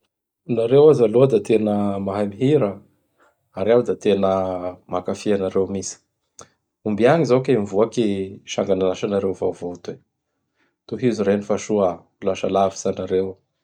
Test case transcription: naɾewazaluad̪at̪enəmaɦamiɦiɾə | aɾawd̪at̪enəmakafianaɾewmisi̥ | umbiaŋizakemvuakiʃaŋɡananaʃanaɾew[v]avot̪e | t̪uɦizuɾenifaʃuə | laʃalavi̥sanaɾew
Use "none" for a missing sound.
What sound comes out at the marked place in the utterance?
v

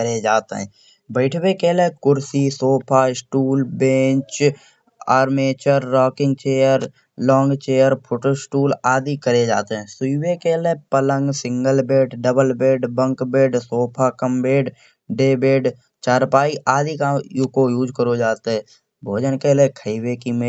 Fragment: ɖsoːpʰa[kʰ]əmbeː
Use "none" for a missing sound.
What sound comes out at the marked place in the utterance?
k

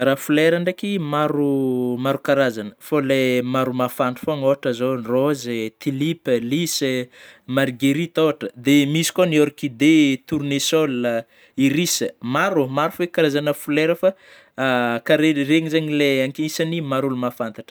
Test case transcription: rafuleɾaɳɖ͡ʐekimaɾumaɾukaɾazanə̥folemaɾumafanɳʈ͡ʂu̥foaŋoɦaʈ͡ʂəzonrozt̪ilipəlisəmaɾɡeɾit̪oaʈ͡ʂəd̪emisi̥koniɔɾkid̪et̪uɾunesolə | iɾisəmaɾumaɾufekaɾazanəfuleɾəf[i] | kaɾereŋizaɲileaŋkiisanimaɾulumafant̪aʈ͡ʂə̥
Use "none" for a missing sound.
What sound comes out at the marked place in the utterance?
a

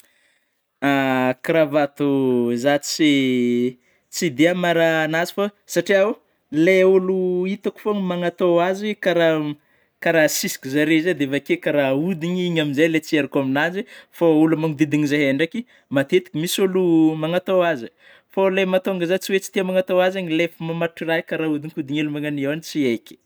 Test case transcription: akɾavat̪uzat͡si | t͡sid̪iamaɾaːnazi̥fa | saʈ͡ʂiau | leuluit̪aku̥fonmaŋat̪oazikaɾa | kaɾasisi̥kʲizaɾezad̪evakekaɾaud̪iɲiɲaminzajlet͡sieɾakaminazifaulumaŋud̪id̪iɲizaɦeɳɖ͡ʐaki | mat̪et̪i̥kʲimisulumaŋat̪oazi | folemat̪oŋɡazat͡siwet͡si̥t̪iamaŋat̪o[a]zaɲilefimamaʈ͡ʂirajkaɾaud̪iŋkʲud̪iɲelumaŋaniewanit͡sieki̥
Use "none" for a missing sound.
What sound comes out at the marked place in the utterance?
a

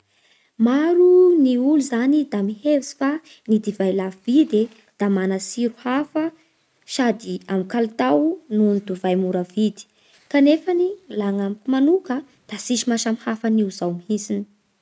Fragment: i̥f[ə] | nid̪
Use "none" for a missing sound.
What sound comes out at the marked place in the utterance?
a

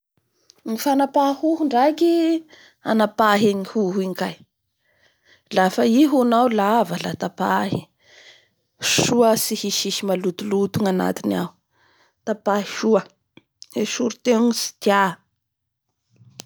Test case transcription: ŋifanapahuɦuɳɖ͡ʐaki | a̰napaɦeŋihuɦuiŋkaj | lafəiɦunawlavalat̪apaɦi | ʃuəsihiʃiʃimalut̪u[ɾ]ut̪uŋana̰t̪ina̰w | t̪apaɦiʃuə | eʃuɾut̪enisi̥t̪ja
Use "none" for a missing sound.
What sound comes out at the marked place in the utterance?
l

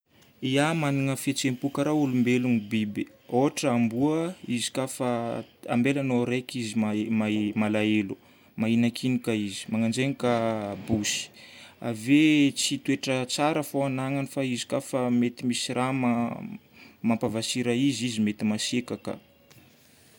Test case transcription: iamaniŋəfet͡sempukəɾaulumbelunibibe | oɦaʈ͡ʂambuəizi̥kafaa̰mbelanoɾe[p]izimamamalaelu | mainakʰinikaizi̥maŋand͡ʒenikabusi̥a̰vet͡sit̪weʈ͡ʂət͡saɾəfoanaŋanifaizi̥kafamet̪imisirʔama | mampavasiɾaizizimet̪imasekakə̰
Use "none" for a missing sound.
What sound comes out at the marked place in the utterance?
k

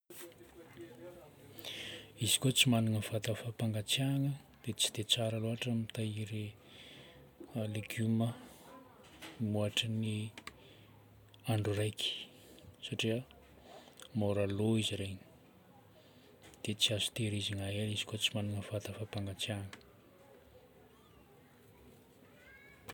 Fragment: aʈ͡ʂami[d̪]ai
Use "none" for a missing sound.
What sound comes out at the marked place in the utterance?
t̪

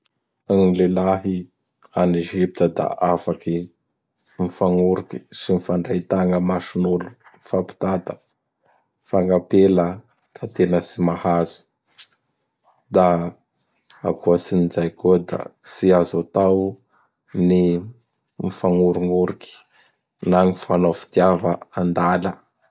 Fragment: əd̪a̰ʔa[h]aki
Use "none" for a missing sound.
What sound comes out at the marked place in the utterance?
f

